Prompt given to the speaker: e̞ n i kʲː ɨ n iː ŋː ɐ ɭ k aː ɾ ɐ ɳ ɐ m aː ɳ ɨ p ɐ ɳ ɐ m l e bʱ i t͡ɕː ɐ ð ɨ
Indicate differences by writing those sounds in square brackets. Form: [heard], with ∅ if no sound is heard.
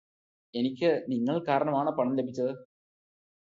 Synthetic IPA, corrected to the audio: e̞ n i kʲː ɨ n [i] ŋː ɐ ɭ k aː ɾ ɐ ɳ ɐ m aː ɳ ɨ p ɐ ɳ ɐ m l e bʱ i t͡ɕː ɐ ð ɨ